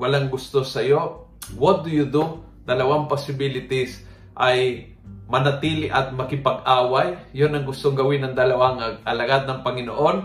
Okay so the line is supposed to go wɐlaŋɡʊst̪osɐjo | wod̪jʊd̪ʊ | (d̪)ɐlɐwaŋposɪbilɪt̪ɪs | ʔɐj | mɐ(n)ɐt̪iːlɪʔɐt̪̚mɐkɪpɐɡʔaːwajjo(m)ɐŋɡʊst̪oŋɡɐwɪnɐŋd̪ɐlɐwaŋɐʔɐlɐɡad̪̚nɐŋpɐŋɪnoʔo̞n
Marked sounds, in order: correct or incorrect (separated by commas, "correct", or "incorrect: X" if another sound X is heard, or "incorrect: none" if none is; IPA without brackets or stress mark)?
correct, correct, incorrect: n